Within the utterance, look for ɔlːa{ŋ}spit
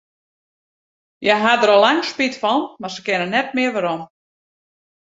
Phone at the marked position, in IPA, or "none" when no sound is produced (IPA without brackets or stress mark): ŋ